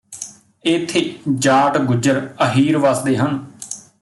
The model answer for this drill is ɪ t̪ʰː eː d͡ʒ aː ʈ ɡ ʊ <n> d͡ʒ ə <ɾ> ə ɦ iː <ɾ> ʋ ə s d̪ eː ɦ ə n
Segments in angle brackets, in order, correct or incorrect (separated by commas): incorrect, correct, correct